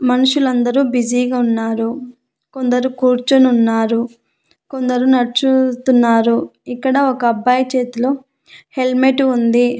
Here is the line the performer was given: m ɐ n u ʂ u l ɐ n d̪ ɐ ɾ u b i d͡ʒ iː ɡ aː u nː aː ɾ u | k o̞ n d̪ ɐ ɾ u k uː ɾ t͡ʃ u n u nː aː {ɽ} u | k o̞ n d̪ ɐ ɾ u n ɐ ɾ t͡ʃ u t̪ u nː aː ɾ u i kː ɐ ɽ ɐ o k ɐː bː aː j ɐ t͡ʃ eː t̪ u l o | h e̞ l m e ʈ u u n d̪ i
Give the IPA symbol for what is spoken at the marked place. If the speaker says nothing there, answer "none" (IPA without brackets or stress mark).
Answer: ɾ